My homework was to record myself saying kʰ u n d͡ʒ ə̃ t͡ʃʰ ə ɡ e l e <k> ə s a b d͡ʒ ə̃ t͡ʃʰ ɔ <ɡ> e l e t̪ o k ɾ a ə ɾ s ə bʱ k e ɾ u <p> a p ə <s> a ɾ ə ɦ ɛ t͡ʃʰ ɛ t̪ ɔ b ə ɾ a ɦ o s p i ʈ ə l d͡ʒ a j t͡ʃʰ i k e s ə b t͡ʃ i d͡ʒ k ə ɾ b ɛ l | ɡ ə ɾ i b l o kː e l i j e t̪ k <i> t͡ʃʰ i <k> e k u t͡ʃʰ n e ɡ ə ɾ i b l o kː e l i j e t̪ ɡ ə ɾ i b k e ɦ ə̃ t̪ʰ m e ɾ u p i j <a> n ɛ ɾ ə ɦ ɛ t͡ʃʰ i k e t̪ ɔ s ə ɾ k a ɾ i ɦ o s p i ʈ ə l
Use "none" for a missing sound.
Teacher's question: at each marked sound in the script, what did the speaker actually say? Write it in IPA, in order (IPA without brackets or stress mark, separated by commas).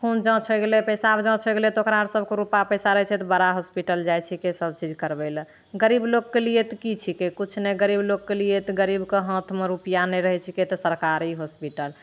p, ɡ, p, s, i, k, a